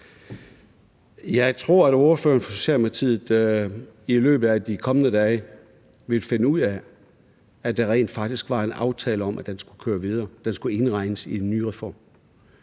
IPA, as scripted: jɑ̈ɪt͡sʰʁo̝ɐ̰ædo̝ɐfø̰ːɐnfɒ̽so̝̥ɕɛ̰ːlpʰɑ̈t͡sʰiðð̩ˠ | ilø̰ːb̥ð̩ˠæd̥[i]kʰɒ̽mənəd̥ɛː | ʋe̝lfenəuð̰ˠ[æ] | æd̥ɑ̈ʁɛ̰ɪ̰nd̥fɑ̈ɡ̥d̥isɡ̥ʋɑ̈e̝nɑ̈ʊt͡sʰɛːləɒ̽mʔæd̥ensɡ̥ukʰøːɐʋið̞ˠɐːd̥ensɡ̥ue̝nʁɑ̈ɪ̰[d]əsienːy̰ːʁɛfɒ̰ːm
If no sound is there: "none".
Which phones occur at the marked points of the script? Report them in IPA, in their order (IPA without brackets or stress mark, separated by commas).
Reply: i, æ, n